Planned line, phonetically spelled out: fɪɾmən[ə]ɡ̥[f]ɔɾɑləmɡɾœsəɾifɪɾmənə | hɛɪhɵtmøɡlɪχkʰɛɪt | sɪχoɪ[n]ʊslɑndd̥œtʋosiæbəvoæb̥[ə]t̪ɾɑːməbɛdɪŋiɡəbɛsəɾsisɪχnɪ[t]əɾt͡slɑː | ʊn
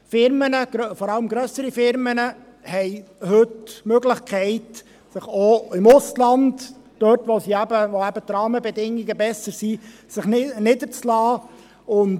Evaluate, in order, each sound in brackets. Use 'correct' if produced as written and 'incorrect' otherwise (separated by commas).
correct, correct, incorrect, correct, incorrect